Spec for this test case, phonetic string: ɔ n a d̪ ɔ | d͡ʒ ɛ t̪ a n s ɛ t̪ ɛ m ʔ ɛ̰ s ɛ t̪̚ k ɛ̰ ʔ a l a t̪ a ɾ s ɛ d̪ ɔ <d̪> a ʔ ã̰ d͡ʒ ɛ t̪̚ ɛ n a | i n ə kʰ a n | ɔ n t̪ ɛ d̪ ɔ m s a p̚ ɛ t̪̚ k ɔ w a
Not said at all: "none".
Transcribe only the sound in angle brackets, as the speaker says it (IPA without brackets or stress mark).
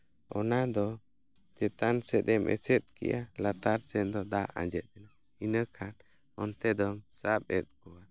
d̪